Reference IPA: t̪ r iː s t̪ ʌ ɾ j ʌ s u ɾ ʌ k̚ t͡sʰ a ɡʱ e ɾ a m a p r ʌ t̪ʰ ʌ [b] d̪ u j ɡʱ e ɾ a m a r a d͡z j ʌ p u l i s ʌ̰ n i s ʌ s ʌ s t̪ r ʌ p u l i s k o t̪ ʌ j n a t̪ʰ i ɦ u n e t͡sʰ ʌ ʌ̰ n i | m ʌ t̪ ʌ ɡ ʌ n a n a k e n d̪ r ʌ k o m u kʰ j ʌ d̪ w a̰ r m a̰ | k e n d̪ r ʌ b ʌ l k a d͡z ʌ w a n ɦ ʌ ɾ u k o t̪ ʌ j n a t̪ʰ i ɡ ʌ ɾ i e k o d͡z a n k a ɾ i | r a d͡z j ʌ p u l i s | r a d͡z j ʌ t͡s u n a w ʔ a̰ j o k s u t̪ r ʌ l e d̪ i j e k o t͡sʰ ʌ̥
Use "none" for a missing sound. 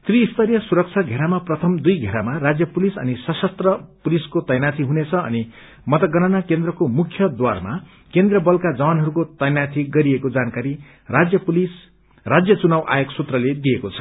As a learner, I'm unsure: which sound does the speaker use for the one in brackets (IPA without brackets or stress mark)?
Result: m